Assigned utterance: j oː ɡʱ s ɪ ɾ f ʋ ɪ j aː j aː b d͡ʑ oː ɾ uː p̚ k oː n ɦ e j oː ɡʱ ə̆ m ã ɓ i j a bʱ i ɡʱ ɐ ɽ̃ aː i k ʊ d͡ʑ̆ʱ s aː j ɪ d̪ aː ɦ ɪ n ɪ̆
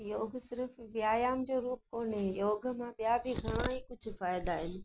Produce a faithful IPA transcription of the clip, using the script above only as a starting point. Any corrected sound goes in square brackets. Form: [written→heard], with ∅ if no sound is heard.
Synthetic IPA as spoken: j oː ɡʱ s ɪ ɾ f ʋ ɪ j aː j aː [b→m] d͡ʑ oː ɾ uː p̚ k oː n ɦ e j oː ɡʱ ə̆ m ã ɓ i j a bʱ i ɡʱ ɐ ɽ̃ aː i k ʊ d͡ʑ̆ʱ [s→f] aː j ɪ d̪ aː ɦ ɪ n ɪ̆